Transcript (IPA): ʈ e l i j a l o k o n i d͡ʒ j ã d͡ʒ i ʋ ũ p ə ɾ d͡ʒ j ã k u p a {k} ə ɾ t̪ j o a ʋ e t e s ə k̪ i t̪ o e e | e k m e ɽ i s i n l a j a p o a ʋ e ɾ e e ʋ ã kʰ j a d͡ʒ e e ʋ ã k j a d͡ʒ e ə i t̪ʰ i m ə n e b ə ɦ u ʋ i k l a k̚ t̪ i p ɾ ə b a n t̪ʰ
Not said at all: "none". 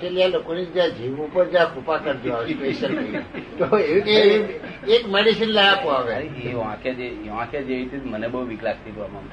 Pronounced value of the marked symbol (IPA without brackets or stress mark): k